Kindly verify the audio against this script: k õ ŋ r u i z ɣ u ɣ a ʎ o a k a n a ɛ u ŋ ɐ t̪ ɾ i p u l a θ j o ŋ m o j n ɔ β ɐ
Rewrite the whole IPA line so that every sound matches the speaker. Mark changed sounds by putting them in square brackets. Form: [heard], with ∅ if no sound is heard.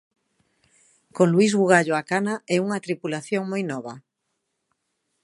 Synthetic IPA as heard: k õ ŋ [l] u i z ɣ u ɣ a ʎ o a k a n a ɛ u ŋ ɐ t̪ ɾ i p u l a θ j o ŋ m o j n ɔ β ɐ